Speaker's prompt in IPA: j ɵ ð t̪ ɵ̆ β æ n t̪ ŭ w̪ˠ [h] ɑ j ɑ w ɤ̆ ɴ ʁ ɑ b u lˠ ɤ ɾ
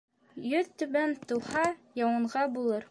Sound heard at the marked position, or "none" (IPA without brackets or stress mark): h